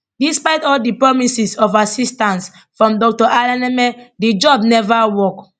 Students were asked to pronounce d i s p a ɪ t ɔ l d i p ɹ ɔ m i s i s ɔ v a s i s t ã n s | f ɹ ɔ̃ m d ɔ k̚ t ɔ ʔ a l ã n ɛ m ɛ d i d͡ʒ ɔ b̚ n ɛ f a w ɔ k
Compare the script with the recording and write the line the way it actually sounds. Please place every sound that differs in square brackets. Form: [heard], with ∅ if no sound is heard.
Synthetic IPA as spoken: d i s p a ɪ t ɔ l d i p ɹ ɔ m i s i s ɔ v a s i s t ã n s | f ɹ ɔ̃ m d ɔ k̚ t ɔ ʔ a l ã n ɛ m ɛ d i d͡ʒ ɔ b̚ n ɛ [v] a w ɔ k